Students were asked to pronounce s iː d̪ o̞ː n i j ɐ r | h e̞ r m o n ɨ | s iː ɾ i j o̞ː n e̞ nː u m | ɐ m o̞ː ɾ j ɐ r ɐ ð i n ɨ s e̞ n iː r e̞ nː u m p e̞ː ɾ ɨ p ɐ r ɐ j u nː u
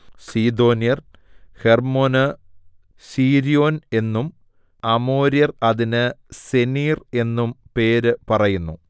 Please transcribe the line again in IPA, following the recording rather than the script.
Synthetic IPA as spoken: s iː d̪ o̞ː n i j ɐ r | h e̞ r m o n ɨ | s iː ɾ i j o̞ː n e̞ nː u m | ɐ m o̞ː ɾ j ɐ r ɐ ð i n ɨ s e̞ n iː r e̞ nː u m p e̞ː ɾ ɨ p ɐ r ɐ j u nː u

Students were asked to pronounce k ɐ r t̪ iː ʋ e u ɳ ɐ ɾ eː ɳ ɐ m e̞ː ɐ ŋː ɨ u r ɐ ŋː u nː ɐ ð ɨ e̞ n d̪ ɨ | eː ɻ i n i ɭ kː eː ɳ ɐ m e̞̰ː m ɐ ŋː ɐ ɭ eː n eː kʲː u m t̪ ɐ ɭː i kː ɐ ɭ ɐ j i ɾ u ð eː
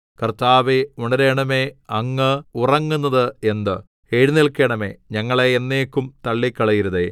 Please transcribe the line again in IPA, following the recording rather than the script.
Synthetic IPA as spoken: k ɐ r t̪ aː ʋ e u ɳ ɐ ɾ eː ɳ ɐ m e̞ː ɐ ŋː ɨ u r ɐ ŋː u nː ɐ ð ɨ e̞ n d̪ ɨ | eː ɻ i n i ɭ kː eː ɳ ɐ m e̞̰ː ɲ ɐ ŋː ɐ ɭ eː nː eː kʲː u m t̪ ɐ ɭː i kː ɐ ɭ ɐ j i ɾ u ð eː

